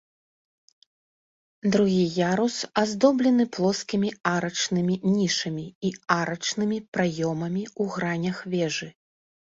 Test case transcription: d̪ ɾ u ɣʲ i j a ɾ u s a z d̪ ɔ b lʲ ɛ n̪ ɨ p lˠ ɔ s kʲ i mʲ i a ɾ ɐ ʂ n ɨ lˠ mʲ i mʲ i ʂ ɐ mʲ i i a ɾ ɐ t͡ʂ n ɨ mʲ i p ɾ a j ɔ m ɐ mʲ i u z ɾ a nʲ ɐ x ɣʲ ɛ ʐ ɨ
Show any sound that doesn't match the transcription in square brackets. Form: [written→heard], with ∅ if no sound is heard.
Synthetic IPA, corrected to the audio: d̪ ɾ u ɣʲ i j a ɾ u s a z d̪ ɔ b lʲ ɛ n̪ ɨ p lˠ ɔ s kʲ i mʲ i a ɾ ɐ [ʂ→t͡ʂ] n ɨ [lˠ→∅] mʲ i [mʲ→nʲ] i ʂ ɐ mʲ i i a ɾ ɐ t͡ʂ n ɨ mʲ i p ɾ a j ɔ m ɐ mʲ i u [z→ɣ] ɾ a nʲ ɐ x [ɣʲ→vʲ] ɛ ʐ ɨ